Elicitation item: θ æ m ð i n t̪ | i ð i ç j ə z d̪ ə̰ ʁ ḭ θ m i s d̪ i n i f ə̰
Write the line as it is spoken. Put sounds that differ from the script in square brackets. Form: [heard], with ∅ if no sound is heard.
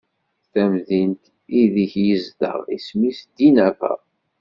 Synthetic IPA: θ æ m ð i n t̪ | i ð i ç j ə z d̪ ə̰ ʁ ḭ [s] m i s d̪ i n [æ] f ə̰